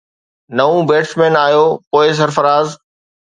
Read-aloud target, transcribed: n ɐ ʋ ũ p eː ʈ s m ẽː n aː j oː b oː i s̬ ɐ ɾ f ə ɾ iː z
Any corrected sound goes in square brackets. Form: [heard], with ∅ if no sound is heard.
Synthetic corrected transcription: n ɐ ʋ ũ [b] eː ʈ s m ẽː n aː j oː [p] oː [ɪ] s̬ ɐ ɾ f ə ɾ [aː] z